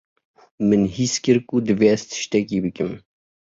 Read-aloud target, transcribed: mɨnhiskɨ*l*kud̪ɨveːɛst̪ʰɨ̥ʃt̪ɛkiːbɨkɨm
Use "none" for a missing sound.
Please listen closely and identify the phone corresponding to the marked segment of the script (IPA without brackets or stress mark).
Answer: ɾ